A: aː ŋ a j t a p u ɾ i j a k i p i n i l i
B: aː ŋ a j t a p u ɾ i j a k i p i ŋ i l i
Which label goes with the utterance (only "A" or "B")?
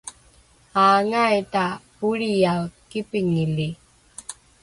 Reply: B